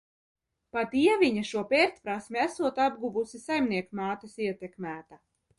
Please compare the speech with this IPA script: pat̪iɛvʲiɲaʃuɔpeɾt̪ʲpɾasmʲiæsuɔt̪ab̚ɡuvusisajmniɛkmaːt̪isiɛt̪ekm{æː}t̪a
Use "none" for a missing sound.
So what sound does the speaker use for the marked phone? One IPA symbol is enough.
æː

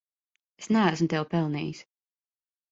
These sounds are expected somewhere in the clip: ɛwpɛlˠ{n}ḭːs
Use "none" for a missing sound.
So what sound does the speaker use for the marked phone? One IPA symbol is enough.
n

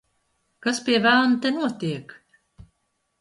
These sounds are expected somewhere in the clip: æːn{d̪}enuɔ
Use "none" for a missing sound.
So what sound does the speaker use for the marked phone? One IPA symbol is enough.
t̪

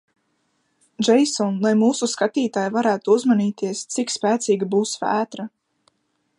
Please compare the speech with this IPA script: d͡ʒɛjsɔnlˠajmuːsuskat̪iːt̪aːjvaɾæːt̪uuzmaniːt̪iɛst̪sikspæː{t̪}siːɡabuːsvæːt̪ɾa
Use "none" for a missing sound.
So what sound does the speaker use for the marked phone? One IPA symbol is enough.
t̪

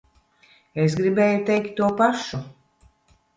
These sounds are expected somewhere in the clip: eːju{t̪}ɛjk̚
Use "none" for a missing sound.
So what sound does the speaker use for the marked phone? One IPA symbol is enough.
t̪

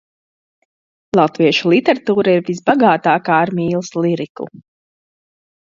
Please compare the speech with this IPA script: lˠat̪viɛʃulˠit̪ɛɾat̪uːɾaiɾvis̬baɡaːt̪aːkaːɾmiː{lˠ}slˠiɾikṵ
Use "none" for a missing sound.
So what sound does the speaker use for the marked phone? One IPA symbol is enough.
lˠ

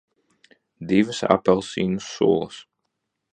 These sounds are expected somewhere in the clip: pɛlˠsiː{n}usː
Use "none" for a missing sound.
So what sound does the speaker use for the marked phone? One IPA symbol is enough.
n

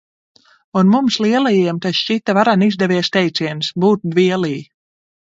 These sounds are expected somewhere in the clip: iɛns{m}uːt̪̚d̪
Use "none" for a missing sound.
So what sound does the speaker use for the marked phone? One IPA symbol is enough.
b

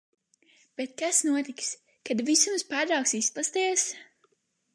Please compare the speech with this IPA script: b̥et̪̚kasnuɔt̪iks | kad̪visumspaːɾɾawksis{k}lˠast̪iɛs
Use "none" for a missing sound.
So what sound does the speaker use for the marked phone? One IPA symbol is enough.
p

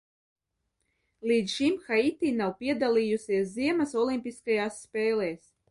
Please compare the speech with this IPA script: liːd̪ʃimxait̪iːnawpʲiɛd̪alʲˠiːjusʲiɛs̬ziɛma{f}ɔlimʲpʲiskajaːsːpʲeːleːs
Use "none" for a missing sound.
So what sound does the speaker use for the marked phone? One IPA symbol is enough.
s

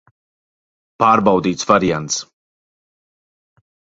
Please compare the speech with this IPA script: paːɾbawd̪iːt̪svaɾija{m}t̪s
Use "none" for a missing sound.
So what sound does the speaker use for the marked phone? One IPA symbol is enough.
n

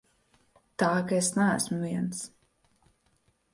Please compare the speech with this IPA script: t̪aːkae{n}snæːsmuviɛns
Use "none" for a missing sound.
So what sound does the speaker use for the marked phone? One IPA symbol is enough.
none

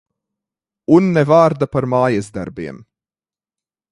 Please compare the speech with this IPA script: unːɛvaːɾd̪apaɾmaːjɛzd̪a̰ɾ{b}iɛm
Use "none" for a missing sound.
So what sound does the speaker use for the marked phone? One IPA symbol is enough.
b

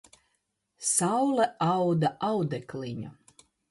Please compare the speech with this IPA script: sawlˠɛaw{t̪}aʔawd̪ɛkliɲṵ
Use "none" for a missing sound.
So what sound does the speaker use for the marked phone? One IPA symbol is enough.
d̪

